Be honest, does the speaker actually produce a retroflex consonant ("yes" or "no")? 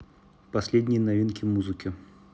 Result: no